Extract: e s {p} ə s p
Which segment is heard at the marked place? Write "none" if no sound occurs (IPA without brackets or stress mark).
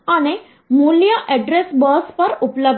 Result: b